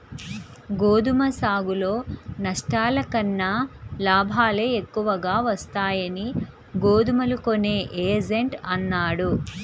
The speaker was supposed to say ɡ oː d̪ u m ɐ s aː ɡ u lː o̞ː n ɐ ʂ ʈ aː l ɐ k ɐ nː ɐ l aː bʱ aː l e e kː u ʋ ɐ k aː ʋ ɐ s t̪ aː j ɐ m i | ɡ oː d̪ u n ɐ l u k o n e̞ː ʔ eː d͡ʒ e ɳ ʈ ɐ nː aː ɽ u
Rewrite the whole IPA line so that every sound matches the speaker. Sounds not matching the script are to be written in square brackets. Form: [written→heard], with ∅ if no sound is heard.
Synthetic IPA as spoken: ɡ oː d̪ u m ɐ s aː ɡ u [lː→l] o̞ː n ɐ ʂ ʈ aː l ɐ k ɐ nː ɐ l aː bʱ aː l e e kː u ʋ ɐ [k→ɡ] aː ʋ ɐ s t̪ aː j ɐ [m→n] i | ɡ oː d̪ u [n→m] ɐ l u k o n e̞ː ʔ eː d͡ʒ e ɳ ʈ ɐ nː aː ɽ u